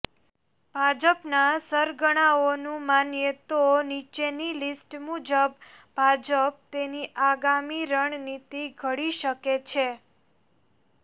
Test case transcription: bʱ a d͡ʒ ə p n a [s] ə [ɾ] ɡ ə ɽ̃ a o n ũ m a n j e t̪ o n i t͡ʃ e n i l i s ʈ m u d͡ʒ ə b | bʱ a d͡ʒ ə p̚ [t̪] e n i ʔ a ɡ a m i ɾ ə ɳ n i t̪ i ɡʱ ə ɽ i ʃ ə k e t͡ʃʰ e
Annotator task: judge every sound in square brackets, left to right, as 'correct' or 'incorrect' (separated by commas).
correct, correct, correct